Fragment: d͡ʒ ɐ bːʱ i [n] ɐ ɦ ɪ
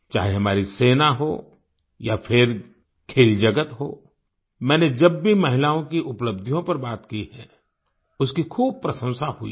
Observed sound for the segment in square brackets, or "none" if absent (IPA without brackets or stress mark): m